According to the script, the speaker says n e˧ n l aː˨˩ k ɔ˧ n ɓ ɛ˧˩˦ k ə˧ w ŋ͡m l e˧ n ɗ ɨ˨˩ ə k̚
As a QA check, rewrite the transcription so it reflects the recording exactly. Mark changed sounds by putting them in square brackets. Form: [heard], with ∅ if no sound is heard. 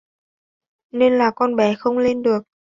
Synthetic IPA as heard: n e˧ n l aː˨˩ k ɔ˧ n ɓ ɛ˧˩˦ [x] ə˧ w ŋ͡m l e˧ n ɗ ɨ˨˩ ə k̚